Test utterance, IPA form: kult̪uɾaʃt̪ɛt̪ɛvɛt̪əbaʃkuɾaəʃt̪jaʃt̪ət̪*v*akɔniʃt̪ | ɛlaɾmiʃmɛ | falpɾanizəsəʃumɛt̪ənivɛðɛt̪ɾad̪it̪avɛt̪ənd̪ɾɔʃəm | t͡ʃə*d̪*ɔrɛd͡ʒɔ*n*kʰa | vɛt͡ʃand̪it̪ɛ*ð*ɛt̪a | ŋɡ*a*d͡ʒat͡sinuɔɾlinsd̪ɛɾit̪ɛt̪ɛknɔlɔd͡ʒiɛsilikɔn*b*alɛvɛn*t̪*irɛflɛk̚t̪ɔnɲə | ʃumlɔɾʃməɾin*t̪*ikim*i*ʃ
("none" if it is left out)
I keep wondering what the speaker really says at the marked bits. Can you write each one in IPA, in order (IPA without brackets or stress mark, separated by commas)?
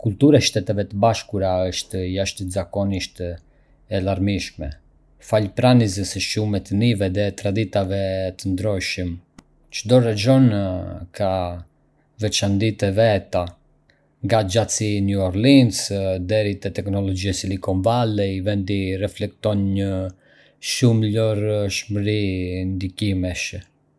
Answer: z, d̪, n, v, a, v, d̪, d̪, ɛ